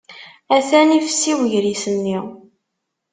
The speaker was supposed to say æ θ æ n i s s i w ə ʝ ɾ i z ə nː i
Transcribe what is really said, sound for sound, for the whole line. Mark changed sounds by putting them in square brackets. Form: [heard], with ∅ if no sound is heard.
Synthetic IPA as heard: æ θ æ n i [f] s i w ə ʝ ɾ i [s] ə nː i